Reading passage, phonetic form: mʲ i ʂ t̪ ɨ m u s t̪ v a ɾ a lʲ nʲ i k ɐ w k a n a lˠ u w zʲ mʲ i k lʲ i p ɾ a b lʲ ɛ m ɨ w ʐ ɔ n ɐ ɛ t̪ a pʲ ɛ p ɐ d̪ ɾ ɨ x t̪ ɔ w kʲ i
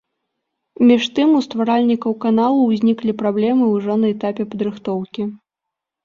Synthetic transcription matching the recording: mʲ i ʂ t̪ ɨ m u s t̪ v a ɾ a lʲ nʲ i k ɐ w k a n a lˠ u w zʲ nʲ i k lʲ i p ɾ a b lʲ ɛ m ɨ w ʐ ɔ n ɐ ɛ t̪ a pʲ ɛ p ɐ d̪ ɾ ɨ x t̪ ɔ w kʲ i